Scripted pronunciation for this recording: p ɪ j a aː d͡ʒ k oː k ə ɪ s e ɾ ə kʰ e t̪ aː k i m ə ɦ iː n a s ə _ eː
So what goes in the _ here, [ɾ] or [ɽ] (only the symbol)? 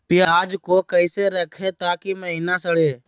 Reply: ɽ